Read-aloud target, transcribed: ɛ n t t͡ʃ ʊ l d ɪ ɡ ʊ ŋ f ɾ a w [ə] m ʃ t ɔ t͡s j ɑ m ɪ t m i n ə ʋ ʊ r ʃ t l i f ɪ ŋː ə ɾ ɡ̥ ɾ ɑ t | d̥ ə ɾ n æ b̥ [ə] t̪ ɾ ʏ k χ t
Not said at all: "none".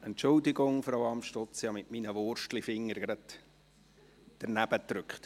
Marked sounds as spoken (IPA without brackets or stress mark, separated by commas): ɑ, ə